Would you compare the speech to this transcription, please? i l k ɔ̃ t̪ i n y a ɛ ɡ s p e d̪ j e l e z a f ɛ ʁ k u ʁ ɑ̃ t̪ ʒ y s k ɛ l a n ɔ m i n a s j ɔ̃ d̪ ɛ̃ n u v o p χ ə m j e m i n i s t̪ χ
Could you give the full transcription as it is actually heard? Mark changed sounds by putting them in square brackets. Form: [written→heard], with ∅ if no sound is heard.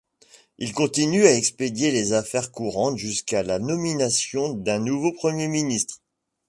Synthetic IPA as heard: i l k ɔ̃ t̪ i n y a ɛ [ɡ→k] s p e d̪ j e l e z a f ɛ ʁ k u ʁ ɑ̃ t̪ ʒ y s k [ɛ→a] l a n ɔ m i n a s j ɔ̃ d̪ ɛ̃ n u v o p χ ə m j e m i n i s t̪ χ